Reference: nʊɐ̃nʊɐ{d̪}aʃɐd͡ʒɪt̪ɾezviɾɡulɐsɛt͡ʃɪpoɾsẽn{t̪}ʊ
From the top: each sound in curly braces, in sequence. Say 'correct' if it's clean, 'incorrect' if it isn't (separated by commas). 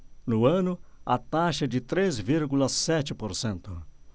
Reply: incorrect, correct